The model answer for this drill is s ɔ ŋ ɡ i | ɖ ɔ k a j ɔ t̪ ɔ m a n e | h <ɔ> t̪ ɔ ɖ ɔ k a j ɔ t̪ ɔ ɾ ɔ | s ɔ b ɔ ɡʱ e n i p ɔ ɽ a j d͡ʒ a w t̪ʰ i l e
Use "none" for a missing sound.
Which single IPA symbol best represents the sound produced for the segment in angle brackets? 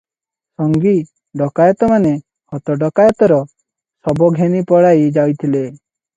ɔ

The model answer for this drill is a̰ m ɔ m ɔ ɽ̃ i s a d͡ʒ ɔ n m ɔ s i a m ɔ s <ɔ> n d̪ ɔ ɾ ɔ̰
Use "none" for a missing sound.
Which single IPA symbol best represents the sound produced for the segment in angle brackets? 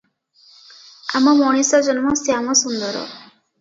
u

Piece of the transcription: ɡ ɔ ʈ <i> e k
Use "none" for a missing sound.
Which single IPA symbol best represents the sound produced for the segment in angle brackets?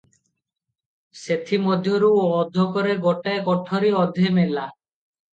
a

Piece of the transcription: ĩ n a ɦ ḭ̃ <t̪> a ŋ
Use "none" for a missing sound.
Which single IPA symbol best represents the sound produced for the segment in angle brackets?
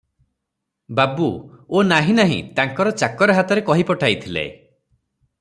t̪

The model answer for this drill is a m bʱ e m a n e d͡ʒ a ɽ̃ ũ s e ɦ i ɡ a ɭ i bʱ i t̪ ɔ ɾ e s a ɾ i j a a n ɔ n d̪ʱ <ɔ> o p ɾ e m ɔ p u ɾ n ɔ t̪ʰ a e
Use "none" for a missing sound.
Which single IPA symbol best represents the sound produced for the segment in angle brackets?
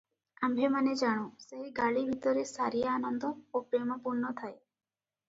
ɔ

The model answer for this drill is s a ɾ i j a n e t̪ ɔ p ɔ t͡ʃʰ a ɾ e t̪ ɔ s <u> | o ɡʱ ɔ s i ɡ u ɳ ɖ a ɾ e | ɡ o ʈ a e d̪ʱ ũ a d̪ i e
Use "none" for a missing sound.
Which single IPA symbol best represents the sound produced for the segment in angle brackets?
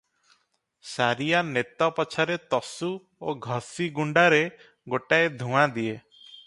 u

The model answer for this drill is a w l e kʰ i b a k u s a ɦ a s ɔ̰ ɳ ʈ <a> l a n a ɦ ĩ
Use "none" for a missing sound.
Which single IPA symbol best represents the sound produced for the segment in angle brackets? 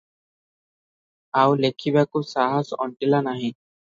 i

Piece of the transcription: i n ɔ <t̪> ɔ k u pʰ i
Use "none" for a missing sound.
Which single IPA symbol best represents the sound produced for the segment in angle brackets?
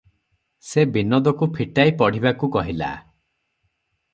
d̪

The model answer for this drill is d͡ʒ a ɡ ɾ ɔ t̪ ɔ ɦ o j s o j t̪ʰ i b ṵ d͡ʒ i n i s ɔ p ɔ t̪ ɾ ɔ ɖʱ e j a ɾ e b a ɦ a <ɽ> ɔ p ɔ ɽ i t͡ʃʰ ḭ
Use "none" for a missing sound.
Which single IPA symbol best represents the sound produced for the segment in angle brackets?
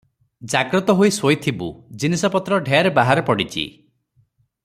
ɾ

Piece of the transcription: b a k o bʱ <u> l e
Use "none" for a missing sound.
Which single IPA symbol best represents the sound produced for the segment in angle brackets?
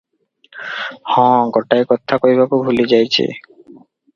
u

